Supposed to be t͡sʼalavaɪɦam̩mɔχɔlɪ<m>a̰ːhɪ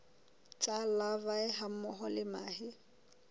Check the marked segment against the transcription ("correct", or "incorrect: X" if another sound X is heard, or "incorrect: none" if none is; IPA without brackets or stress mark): correct